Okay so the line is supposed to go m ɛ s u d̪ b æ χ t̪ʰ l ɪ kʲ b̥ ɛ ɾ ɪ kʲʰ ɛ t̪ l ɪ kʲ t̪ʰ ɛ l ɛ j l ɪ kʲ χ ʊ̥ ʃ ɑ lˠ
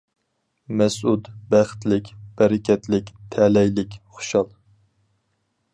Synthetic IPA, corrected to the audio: m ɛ s u d̪ b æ χ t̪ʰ l ɪ kʲ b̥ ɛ ɾ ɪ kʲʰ ɛ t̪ l ɪ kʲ t̪ʰ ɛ l ɛ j l ɪ kʲ χ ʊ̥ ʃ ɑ lˠ